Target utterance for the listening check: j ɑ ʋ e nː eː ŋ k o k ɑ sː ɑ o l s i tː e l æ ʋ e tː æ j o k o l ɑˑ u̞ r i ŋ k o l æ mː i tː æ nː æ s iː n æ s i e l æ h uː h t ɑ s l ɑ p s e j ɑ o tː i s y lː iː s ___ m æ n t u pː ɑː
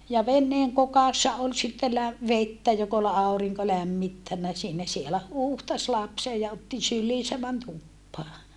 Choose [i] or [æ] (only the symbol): æ